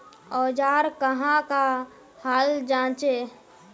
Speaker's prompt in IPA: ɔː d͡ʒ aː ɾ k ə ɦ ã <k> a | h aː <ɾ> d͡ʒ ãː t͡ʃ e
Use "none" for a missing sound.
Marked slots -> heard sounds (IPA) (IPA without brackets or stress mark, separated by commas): k, l